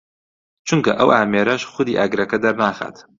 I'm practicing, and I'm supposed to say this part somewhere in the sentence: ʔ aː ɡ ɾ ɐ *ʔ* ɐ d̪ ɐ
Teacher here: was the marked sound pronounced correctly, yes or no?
no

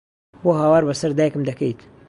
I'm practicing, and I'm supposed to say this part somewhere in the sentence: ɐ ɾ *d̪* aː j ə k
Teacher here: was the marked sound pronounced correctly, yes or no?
yes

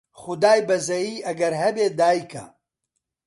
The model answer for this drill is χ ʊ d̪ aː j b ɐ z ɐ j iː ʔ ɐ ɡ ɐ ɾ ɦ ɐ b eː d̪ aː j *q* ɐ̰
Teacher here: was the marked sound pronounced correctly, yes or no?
no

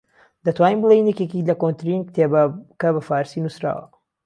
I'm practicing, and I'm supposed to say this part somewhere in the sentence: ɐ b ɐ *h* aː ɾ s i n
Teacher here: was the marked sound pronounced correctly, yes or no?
no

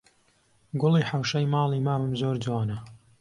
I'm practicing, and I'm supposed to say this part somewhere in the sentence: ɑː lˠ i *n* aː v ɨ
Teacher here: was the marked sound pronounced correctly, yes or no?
no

